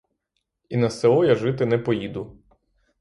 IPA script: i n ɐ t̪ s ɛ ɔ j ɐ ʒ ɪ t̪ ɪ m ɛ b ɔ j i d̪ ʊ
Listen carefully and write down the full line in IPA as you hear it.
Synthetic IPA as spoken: i n ɐ s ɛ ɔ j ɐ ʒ ɪ t̪ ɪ n ɛ p ɔ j i d̪ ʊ